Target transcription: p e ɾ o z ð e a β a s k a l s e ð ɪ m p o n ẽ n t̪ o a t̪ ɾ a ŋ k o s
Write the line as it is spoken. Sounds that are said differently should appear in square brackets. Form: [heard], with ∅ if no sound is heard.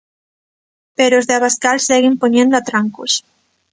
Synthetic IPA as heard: p e ɾ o z ð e a β a s k a l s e [ɣ] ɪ m p o [ɲ] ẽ n [d̪] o a t̪ ɾ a ŋ k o s